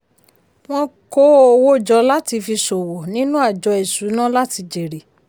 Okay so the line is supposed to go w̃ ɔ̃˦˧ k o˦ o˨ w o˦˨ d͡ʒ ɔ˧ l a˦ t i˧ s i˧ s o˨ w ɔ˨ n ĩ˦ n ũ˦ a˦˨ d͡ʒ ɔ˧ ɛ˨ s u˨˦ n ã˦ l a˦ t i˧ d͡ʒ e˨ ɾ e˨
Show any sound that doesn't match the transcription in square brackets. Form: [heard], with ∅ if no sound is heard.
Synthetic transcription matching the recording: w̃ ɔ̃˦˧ k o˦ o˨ w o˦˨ d͡ʒ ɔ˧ l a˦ t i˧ [f] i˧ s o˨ w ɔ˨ n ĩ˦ n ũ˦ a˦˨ d͡ʒ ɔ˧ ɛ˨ s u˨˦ n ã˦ l a˦ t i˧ d͡ʒ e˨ ɾ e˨